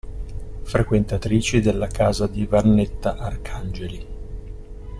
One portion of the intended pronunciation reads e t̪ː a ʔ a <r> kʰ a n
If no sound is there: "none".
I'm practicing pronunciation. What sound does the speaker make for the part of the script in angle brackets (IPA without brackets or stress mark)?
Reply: r